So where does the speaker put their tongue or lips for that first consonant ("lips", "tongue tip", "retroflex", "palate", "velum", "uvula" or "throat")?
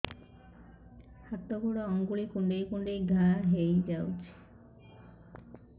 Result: throat